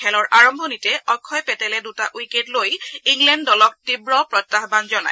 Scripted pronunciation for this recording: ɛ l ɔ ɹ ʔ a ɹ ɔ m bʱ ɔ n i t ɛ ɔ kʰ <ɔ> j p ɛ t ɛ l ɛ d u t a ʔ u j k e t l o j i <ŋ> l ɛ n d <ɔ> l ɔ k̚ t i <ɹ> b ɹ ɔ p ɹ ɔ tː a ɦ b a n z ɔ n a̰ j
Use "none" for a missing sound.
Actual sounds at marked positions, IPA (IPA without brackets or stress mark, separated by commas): ɔ, ŋ, ɔ, none